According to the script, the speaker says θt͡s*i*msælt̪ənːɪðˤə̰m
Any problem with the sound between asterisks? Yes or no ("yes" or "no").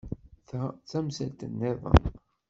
yes